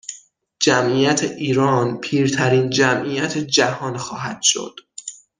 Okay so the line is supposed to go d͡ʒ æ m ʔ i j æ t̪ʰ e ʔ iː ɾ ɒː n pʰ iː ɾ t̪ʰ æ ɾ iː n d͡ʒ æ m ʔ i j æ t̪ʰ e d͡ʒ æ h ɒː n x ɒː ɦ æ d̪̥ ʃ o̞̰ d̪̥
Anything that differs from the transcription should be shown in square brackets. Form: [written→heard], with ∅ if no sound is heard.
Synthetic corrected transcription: d͡ʒ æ m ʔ i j æ t̪ʰ e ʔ iː ɾ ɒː n pʰ iː ɾ t̪ʰ æ ɾ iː n d͡ʒ æ m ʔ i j æ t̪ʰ e d͡ʒ æ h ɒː n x ɒː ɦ æ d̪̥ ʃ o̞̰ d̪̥